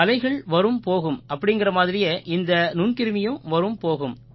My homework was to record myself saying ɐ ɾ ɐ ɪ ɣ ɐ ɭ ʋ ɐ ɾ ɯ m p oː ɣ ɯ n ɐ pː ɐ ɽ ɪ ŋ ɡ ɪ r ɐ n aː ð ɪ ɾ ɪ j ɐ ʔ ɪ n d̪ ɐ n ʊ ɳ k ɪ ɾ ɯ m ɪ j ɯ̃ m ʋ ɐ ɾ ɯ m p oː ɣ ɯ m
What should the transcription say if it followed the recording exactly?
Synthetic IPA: ɐ l ɐ ɪ ɣ ɐ ɭ ʋ ɐ ɾ ɯ m p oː ɣ ɯ m ɐ pː ɐ ɽ ɪ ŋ ɡ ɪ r ɐ m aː ð ɪ ɾ ɪ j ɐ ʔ ɪ n d̪ ɐ n ʊ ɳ k ɪ ɾ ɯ m ɪ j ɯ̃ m ʋ ɐ ɾ ɯ m p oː ɣ ɯ m